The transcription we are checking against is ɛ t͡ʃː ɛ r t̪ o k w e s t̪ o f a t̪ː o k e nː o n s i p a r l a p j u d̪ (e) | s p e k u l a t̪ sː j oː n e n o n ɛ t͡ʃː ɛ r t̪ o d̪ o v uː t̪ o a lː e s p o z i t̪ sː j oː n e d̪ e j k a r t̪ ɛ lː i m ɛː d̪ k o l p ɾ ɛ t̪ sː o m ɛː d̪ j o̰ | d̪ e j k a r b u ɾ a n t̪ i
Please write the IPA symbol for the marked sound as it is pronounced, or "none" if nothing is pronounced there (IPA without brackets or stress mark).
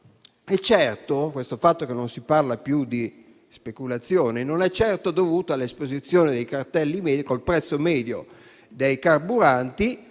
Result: i